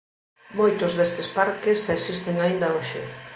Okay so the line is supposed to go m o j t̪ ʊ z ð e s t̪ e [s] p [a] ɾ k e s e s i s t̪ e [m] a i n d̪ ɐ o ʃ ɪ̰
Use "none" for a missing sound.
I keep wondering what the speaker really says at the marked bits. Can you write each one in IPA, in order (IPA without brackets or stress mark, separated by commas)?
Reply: s, a, ŋ